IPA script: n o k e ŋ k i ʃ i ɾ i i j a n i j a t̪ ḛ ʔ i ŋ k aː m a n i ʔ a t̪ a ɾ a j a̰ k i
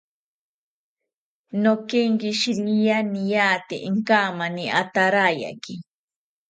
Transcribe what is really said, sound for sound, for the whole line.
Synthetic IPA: n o k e ŋ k i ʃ i ɾ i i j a n i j a t̪ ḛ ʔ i ŋ k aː m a n i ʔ a t̪ a ɾ a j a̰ k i